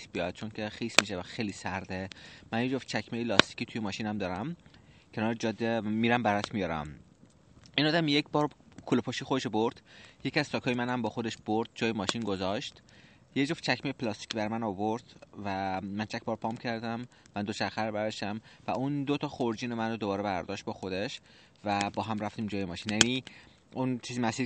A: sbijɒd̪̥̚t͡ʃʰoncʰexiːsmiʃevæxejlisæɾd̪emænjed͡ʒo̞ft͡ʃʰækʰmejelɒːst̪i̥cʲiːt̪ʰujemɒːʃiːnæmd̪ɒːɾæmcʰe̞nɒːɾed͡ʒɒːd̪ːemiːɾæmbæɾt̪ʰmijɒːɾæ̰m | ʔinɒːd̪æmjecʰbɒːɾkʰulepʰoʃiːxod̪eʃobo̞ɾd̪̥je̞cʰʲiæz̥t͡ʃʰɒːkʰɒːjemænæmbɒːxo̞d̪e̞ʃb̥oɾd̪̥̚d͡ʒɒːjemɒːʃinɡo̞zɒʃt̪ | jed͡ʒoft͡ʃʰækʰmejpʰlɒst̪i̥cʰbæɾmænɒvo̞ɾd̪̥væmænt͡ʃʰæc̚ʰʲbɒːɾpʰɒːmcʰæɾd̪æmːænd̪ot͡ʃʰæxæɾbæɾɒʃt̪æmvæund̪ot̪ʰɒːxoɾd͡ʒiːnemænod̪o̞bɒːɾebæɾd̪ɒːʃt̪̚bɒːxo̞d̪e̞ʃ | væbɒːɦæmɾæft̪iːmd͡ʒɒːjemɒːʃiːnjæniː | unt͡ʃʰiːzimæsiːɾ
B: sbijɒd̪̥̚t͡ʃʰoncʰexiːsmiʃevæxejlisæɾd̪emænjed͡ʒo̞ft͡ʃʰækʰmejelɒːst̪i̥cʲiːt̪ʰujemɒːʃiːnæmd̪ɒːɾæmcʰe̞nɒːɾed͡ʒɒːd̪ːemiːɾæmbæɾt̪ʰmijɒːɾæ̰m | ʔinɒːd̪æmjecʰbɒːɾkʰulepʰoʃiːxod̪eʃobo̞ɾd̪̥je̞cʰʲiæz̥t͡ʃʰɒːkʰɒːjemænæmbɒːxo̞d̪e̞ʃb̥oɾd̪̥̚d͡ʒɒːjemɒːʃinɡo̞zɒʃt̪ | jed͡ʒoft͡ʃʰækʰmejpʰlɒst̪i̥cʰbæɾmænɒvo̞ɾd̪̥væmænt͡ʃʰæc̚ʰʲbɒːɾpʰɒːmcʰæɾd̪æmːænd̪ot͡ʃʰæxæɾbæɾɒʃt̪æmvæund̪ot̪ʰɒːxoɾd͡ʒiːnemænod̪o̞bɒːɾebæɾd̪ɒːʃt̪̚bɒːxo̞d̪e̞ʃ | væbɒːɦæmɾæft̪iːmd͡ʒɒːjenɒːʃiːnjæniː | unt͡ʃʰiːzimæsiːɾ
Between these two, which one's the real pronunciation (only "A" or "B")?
A